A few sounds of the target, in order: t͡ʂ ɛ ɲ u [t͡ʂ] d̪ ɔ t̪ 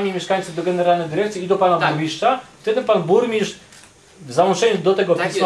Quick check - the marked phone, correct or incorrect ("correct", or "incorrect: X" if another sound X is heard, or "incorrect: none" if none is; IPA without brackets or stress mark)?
incorrect: none